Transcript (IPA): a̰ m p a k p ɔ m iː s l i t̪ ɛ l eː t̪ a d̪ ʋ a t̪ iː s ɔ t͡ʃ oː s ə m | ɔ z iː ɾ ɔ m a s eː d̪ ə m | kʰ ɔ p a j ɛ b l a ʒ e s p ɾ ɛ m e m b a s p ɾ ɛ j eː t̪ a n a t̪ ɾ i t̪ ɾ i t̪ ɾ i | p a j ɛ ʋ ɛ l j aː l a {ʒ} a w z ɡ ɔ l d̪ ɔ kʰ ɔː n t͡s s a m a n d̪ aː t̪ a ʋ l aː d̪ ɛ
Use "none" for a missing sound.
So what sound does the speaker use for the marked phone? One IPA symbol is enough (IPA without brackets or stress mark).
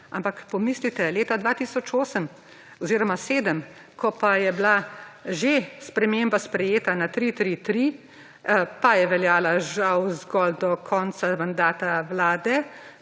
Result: ʒ